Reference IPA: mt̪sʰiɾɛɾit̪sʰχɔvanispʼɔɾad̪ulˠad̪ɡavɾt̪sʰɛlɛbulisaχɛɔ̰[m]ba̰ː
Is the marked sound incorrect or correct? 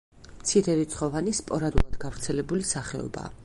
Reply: incorrect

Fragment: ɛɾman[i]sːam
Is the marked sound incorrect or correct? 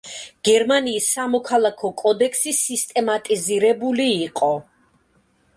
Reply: incorrect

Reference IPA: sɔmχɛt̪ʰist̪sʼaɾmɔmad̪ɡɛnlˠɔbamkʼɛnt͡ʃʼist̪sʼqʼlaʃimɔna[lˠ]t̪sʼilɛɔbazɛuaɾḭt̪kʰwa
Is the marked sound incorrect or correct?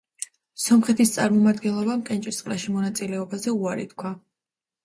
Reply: incorrect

